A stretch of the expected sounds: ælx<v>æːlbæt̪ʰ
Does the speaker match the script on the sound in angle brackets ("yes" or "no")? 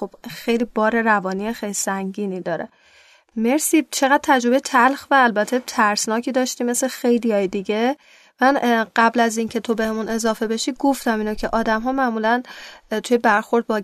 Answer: yes